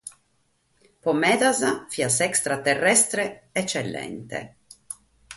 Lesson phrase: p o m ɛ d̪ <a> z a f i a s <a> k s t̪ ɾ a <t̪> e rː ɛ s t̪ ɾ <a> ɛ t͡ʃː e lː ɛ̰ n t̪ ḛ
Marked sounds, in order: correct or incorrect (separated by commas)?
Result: correct, incorrect, correct, incorrect